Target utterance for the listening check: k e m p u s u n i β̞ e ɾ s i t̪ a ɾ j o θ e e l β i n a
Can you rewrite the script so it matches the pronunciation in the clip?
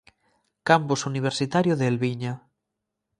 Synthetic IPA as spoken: k a m p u s u n i β̞ e ɾ s i t̪ a ɾ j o ð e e l β i ɲ a